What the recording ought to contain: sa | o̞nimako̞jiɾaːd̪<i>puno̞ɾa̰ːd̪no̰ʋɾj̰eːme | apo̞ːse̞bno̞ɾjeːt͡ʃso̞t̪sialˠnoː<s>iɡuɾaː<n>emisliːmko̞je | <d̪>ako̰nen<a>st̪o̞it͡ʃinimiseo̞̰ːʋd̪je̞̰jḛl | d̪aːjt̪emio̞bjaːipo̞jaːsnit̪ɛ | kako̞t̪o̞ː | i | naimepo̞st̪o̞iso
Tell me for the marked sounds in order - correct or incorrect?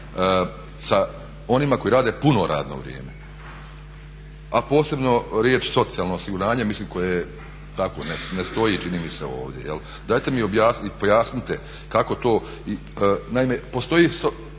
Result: incorrect: e, correct, incorrect: ɲ, incorrect: t̪, incorrect: e

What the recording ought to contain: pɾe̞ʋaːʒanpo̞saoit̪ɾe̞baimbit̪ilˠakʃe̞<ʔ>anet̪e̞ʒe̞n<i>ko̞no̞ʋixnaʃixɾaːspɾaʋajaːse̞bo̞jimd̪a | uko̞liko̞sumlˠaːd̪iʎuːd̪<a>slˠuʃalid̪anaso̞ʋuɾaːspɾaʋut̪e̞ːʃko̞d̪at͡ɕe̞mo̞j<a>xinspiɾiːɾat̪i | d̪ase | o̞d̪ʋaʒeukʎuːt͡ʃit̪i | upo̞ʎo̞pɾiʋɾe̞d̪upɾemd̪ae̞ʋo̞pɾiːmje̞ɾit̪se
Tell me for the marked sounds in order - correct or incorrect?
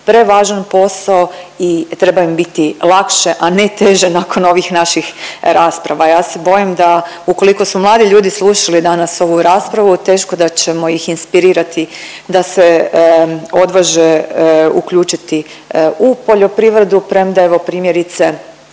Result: correct, incorrect: a, incorrect: i, incorrect: i

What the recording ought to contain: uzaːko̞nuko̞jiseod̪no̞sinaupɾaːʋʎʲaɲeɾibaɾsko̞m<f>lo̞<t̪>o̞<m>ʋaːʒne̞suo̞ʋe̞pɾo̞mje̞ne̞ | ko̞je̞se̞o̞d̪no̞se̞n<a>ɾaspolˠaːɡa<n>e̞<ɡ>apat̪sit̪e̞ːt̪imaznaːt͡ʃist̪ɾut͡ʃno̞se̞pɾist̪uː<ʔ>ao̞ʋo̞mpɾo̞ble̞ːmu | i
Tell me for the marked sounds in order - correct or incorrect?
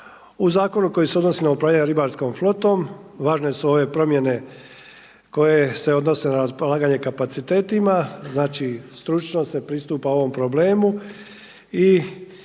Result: correct, correct, correct, correct, incorrect: ɲ, incorrect: k, incorrect: p

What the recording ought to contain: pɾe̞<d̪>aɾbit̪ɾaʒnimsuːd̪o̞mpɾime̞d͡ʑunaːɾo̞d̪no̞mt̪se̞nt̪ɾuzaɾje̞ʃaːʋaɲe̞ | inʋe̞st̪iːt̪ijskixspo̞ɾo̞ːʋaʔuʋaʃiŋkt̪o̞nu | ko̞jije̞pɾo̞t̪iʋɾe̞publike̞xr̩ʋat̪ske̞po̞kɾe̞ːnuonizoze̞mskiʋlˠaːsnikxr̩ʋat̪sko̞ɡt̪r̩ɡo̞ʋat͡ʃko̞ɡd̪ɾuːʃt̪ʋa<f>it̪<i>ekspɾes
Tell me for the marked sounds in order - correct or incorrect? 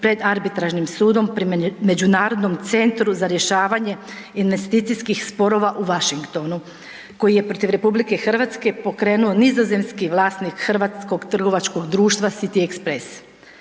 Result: correct, incorrect: s, correct

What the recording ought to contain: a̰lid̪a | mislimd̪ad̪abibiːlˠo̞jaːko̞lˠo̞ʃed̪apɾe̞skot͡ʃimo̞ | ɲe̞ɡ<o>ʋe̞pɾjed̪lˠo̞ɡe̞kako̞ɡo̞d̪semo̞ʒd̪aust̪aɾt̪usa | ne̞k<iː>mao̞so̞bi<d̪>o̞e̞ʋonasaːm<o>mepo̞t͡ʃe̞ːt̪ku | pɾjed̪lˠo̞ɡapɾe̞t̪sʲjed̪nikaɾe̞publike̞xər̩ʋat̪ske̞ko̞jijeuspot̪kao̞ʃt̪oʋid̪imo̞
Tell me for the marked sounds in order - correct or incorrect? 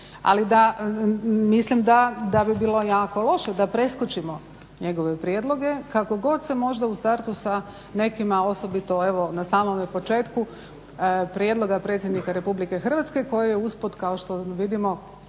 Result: correct, incorrect: i, incorrect: t̪, correct

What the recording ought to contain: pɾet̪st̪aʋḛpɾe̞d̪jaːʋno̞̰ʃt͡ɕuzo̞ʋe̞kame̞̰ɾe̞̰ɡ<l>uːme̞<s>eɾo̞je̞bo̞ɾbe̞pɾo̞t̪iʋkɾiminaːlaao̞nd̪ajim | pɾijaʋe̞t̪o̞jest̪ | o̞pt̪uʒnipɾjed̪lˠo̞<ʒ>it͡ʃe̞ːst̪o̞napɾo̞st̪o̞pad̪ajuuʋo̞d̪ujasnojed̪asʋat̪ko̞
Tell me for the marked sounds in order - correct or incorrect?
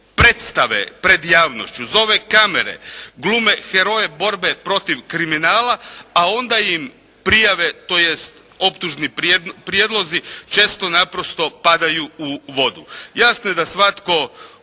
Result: correct, incorrect: x, incorrect: z

